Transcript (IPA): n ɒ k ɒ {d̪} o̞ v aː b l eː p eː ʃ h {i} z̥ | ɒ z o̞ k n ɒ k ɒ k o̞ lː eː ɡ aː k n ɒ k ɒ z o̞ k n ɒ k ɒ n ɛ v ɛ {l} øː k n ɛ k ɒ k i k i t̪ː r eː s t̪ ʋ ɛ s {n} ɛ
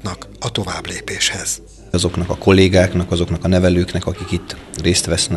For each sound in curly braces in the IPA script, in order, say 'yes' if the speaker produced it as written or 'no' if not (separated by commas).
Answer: no, no, yes, yes